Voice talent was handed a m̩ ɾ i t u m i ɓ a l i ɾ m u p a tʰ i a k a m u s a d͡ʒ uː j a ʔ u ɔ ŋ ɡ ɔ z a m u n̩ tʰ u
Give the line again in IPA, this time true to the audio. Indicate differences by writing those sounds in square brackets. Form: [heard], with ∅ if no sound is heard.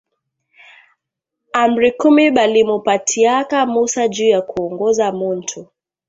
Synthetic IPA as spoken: a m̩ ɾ i [k] u m i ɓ a l i [∅] m u p a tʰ i a k a m u s a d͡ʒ uː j a [k] u ɔ ŋ ɡ ɔ z a m u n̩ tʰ u